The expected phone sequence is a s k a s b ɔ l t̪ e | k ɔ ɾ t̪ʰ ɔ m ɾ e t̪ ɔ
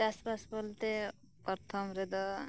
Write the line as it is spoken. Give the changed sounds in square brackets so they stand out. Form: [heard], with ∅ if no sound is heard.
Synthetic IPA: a s [p] a s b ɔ l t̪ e | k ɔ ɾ t̪ʰ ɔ m ɾ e [d̪] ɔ